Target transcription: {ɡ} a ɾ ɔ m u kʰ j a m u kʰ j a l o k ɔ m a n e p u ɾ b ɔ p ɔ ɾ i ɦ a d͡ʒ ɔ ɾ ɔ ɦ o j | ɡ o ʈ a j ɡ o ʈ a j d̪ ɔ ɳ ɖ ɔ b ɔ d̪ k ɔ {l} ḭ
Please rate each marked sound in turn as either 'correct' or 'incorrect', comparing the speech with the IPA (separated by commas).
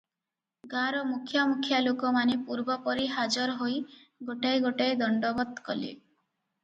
correct, correct